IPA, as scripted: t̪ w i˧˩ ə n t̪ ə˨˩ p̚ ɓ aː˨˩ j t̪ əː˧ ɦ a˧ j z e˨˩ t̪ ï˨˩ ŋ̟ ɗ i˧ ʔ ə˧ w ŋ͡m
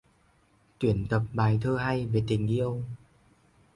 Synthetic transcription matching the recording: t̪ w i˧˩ ə n t̪ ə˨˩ p̚ ɓ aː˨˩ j t̪ʰ əː˧ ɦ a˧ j v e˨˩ t̪ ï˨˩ ŋ̟ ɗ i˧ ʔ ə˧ w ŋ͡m

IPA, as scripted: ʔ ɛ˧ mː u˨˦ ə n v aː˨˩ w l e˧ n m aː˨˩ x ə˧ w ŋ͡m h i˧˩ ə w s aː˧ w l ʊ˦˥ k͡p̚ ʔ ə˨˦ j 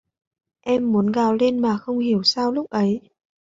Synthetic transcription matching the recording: ʔ ɛ˧ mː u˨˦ ə n ɣ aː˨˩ w l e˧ n m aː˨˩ x ə˧ w ŋ͡m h i˧˩ ə w s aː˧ w l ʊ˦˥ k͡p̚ ʔ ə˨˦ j

